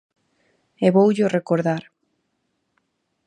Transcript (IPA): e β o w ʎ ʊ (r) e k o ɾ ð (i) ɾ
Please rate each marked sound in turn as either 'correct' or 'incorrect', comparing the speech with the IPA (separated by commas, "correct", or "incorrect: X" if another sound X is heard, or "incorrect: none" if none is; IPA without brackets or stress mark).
correct, incorrect: a